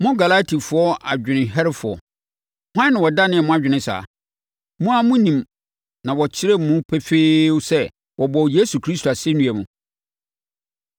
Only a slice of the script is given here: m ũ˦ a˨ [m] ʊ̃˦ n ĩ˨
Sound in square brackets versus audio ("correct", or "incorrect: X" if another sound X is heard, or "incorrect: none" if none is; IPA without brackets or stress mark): correct